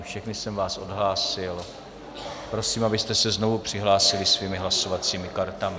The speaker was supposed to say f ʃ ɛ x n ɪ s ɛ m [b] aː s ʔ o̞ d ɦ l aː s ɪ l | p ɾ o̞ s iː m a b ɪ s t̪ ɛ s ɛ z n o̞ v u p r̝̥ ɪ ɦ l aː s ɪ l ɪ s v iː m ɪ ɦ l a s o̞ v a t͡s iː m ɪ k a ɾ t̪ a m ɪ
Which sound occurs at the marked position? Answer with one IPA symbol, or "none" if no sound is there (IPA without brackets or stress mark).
v